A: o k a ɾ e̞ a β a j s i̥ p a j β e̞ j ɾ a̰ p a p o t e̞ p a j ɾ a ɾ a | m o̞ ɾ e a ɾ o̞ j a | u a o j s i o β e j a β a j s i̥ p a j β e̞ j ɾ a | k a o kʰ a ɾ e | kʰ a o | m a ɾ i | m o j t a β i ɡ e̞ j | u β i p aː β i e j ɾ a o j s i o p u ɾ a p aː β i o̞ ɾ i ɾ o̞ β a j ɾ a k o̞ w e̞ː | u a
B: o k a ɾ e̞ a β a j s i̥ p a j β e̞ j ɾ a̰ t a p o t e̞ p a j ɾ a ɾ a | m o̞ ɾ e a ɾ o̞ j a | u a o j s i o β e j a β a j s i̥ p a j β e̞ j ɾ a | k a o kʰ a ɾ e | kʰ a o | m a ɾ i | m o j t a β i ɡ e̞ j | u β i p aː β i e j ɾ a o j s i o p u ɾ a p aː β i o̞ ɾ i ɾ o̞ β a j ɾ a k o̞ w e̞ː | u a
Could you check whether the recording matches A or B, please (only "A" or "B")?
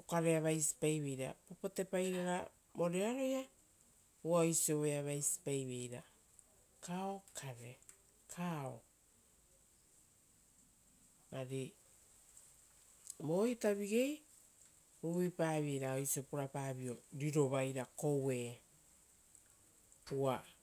A